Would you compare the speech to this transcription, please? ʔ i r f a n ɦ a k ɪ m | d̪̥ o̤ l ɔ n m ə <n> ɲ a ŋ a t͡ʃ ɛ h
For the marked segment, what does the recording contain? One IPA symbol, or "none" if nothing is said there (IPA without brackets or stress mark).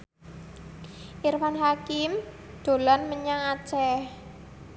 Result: none